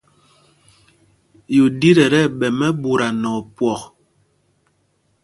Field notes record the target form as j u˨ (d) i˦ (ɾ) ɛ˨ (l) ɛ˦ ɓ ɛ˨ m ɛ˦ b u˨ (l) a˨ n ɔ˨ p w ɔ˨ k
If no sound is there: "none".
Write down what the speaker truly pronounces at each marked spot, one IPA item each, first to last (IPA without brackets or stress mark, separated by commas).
d, ɾ, ɾ, ɾ